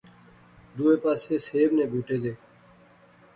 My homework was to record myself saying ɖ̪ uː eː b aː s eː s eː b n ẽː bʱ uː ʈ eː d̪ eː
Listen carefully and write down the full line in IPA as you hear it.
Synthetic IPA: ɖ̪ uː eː p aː s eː s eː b n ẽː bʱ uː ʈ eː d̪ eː